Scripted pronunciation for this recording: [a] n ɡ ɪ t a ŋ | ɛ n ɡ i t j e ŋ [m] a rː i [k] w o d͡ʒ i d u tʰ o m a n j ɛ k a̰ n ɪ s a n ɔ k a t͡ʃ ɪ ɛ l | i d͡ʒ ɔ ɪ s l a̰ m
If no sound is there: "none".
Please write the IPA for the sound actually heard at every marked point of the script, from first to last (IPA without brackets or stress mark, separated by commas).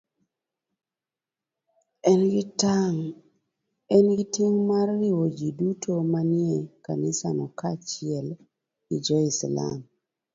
ɛ, m, none